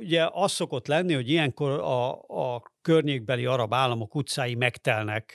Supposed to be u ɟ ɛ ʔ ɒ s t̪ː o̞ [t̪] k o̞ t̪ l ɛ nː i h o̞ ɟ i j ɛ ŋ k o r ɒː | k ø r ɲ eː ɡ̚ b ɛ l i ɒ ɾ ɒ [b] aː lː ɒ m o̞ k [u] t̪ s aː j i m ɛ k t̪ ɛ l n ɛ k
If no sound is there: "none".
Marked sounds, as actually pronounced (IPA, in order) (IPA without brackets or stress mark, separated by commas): none, b, u